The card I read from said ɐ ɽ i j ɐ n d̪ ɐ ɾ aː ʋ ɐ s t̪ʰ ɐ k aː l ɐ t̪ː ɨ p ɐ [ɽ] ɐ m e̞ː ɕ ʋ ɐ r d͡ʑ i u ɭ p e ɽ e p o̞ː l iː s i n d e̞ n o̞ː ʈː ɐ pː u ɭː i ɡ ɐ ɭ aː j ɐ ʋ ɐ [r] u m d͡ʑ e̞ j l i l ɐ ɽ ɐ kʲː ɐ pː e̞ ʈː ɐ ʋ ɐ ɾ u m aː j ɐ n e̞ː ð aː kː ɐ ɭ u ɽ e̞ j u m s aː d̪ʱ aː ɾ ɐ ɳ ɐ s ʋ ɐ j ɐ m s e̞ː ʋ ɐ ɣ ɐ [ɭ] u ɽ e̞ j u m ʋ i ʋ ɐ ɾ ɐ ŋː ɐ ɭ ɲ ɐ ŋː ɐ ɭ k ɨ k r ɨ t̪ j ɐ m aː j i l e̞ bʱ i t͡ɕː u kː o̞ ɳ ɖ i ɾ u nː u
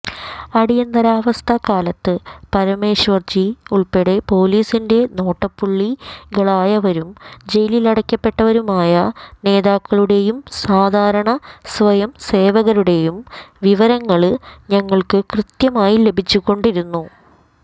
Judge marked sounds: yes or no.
no, no, no

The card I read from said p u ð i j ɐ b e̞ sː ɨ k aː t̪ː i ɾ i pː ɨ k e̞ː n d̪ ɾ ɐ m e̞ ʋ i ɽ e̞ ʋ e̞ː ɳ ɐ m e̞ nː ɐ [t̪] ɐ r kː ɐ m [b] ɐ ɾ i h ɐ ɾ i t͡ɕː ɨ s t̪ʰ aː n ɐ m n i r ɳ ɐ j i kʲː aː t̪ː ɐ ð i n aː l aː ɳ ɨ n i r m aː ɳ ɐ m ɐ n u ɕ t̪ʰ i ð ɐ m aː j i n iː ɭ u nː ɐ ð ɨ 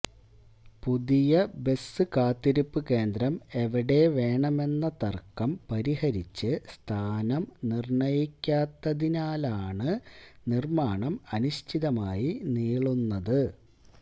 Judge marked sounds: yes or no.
yes, no

